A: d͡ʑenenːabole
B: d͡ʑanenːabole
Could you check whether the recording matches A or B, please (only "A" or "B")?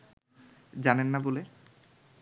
B